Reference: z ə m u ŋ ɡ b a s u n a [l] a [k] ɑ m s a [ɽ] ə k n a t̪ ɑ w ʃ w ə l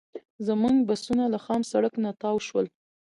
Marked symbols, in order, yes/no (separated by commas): yes, no, yes